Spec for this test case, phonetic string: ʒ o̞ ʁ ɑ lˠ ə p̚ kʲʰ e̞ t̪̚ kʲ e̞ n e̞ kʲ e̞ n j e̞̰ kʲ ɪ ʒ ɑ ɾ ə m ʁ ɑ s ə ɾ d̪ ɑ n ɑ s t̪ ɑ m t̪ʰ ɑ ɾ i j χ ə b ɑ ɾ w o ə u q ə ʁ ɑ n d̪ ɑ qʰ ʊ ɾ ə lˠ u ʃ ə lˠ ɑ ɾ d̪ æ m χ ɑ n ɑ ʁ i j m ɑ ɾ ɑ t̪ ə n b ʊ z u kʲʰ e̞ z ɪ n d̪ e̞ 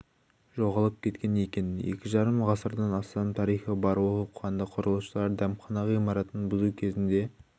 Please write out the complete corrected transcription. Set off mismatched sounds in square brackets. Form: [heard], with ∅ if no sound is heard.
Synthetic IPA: ʒ o̞ ʁ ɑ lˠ ə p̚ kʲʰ e̞ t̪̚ kʲ e̞ n e̞ kʲ e̞ n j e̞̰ kʲ ɪ ʒ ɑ ɾ ə m ʁ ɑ s ə ɾ d̪ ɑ n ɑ s t̪ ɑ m t̪ʰ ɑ ɾ i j χ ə b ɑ ɾ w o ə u q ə ʁ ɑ n d̪ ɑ qʰ ʊ ɾ ə lˠ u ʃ ə lˠ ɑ ɾ d̪ æ m χ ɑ n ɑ ʁ i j m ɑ ɾ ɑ t̪ ə n b ʊ z u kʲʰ e̞ z ɪ n d̪ e̞